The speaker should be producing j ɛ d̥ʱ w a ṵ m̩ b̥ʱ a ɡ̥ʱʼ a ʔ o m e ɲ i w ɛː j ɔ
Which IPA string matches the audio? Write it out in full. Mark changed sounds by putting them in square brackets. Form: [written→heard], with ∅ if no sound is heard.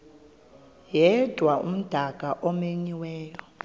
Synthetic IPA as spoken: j ɛ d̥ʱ w a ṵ m̩ [b̥ʱ→d̥ʱ] a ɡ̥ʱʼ a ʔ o m e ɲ i w ɛː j ɔ